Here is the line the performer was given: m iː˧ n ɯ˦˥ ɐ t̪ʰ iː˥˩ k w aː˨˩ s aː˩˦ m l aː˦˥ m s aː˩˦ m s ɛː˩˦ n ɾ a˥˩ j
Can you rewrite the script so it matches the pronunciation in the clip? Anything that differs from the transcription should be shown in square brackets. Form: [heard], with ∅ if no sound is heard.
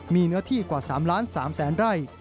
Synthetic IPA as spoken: m iː˧ n ɯ˦˥ ɐ t̪ʰ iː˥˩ k w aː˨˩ s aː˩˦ m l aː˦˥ [n] s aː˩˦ m s ɛː˩˦ n ɾ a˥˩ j